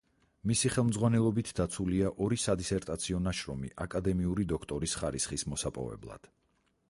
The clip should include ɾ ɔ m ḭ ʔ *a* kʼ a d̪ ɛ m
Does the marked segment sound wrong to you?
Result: no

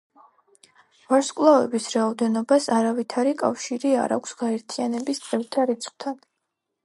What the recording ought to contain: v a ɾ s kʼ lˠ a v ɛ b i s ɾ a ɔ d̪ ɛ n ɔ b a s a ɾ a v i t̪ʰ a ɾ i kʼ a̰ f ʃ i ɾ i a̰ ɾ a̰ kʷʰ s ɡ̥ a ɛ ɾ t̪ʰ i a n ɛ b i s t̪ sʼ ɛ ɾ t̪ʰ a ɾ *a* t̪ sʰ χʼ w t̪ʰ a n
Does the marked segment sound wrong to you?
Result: yes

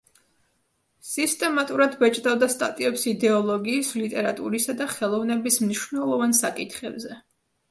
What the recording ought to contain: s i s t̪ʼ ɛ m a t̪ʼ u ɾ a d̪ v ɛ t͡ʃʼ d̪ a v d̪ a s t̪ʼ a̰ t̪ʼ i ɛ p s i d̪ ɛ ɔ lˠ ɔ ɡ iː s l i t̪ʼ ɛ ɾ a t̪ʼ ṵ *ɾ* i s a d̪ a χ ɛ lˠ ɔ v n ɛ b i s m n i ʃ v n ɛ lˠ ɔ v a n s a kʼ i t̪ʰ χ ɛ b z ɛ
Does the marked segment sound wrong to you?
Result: no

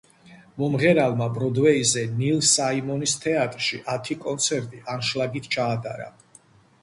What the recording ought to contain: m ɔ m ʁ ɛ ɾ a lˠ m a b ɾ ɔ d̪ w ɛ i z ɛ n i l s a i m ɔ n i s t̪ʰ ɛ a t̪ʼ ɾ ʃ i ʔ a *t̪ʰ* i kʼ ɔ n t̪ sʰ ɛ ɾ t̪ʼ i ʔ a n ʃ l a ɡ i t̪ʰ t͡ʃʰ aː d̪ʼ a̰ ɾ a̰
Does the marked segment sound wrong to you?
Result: no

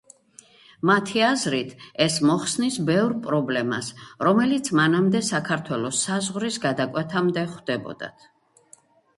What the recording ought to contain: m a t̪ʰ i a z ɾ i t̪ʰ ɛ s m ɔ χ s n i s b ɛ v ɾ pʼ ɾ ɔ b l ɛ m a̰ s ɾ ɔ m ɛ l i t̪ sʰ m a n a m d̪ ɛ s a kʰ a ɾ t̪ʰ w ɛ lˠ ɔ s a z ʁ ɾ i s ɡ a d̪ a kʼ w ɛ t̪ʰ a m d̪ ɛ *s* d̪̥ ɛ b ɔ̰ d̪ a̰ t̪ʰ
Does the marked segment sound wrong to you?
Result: yes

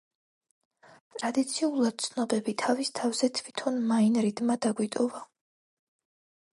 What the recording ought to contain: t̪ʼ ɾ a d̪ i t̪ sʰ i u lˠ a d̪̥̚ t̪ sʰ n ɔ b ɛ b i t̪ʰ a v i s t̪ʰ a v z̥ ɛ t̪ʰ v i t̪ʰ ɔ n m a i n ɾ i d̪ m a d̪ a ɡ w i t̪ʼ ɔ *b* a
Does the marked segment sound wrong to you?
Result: yes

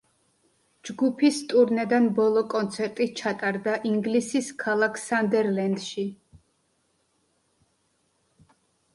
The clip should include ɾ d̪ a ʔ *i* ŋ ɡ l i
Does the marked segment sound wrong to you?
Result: no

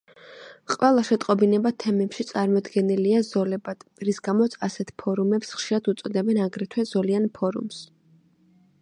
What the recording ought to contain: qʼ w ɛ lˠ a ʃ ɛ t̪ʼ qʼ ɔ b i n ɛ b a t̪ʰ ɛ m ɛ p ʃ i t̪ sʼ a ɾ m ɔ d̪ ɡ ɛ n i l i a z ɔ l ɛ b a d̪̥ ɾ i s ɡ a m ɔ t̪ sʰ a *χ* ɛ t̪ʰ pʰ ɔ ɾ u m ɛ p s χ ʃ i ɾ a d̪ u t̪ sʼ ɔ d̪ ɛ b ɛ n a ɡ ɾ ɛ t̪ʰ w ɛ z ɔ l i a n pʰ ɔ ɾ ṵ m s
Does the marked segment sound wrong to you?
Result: yes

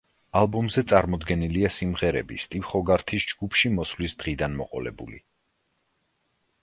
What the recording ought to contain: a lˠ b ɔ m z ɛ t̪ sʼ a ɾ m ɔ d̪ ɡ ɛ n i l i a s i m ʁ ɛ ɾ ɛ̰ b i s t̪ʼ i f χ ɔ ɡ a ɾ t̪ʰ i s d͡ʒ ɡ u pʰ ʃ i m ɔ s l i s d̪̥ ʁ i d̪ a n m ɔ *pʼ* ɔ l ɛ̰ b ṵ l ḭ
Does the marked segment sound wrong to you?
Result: yes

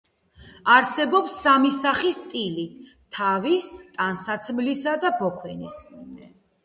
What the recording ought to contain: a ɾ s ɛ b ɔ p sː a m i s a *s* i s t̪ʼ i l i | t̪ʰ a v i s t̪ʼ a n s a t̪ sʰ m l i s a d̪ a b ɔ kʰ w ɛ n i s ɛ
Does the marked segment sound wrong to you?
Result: yes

